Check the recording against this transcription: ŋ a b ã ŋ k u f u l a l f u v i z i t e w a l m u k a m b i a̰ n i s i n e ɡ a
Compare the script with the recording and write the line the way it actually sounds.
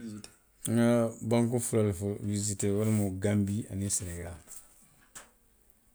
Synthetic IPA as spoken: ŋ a b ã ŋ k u f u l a l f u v i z i t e w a l m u ɡ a m b i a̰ n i s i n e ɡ a